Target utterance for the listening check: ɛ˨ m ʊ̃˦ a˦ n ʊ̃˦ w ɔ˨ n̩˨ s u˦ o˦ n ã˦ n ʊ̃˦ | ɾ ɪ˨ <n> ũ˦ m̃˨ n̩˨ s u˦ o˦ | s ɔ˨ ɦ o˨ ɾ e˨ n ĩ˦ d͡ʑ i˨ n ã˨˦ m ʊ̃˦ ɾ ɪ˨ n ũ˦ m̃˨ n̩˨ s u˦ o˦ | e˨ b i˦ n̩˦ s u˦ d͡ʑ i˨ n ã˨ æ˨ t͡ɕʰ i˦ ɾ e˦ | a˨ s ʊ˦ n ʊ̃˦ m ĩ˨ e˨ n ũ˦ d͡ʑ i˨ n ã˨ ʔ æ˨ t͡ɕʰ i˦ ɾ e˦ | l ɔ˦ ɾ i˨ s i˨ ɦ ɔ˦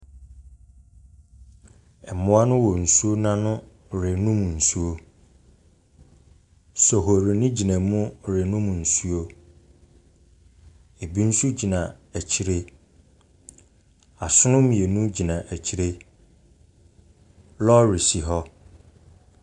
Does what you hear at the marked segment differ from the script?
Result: no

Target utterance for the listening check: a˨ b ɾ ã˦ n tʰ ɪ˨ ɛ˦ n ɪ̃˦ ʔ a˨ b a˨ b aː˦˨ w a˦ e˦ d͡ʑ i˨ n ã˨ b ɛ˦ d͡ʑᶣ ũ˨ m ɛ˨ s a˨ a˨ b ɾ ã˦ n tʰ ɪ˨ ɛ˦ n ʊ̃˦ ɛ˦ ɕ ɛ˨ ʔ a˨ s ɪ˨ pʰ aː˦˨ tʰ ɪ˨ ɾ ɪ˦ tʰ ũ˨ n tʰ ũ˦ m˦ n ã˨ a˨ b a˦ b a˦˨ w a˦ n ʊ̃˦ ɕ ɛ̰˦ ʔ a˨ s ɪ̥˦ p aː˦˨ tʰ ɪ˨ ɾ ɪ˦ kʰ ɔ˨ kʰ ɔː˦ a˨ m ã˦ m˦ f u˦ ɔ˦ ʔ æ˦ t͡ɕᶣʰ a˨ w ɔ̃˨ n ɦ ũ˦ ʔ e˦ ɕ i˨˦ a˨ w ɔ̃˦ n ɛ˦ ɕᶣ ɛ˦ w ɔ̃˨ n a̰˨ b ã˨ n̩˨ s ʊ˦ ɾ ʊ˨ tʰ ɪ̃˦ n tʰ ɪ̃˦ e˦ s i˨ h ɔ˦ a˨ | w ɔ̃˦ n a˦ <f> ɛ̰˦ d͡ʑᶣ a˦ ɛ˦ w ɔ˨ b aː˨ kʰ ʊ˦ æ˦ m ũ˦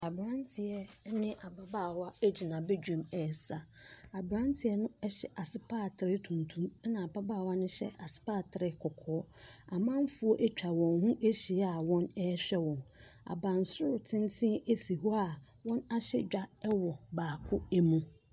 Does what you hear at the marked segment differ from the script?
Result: yes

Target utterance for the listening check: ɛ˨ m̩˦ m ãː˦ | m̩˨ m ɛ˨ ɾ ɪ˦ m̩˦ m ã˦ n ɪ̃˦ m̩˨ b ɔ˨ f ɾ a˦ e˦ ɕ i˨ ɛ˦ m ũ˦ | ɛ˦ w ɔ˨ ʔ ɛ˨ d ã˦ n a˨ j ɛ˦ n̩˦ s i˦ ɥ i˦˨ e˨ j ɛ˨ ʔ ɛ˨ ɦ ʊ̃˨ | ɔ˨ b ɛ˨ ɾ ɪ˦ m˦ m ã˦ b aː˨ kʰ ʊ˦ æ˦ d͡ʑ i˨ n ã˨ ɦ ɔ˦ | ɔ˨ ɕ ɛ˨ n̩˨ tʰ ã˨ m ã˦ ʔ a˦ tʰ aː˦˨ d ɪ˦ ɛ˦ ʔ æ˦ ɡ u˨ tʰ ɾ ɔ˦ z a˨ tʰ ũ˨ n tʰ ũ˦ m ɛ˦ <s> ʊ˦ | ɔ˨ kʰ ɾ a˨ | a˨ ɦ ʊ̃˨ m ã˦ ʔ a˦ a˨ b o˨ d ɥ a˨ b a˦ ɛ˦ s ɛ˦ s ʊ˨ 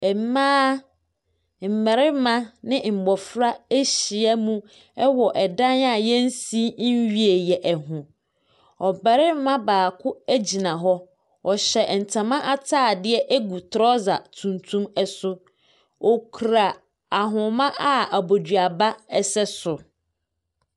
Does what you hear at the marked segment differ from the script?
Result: no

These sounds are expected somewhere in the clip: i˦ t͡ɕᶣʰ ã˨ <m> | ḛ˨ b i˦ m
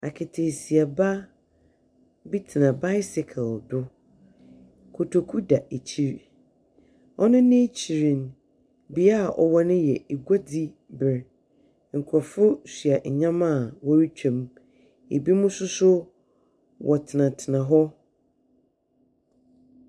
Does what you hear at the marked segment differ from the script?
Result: no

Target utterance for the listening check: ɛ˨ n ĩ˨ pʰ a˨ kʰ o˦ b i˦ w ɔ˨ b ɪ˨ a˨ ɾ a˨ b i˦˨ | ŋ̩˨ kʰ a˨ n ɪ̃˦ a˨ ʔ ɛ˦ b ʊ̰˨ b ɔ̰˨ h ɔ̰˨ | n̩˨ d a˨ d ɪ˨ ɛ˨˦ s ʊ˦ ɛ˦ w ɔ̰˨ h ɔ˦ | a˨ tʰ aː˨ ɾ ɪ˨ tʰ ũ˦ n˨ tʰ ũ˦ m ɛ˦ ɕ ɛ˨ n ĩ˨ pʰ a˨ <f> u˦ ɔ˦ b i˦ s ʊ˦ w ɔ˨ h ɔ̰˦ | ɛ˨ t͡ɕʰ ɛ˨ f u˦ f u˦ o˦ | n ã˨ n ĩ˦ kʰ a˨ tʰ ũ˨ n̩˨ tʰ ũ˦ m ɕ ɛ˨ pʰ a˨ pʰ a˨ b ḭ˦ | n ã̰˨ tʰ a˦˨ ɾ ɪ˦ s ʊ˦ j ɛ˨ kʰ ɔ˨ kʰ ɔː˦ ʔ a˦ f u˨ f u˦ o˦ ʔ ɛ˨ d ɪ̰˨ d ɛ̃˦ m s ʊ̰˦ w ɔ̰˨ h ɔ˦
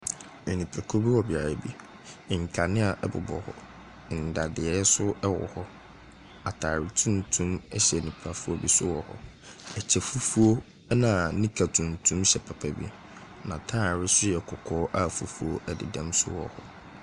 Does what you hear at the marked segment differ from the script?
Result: no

